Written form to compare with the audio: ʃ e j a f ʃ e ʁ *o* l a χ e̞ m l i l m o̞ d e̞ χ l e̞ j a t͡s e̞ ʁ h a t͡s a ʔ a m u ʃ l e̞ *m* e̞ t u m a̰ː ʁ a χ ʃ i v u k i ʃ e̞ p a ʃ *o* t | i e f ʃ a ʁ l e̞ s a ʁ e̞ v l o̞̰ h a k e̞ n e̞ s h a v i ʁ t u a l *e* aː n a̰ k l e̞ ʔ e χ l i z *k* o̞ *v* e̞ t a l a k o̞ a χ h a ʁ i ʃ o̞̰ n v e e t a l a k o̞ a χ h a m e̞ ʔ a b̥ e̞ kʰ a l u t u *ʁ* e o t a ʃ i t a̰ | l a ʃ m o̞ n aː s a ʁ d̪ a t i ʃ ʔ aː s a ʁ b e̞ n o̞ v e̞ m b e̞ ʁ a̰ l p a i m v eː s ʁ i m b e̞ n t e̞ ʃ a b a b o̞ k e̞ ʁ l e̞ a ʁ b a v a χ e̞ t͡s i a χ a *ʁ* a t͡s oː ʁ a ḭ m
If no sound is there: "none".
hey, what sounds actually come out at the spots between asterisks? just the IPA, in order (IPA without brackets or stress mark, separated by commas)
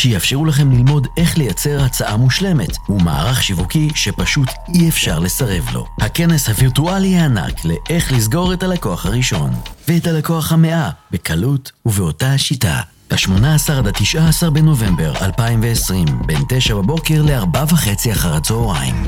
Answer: u, m, u, i, ɡ, ʁ, v, ʁ